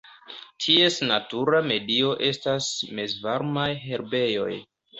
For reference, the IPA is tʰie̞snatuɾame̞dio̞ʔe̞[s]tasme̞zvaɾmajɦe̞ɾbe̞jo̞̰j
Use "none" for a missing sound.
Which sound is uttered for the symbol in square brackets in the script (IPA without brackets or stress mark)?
s